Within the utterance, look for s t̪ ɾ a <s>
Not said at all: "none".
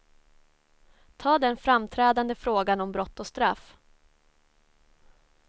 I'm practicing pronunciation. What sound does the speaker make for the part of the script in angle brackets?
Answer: f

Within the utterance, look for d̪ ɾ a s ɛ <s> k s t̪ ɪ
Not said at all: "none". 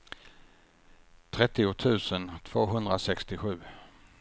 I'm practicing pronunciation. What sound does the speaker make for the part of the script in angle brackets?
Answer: none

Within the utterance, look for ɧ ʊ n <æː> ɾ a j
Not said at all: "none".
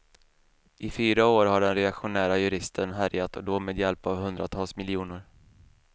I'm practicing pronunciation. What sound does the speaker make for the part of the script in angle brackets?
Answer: æː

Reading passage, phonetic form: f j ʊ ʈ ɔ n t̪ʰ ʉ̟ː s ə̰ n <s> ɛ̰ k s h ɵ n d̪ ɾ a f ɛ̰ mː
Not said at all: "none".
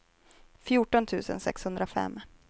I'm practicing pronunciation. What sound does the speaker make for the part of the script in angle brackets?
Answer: s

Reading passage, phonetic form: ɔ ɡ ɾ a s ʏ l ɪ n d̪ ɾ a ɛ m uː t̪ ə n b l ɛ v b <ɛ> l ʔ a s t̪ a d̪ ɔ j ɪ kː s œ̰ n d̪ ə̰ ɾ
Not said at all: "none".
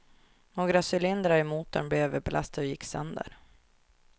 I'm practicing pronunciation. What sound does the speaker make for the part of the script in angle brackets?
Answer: ɛ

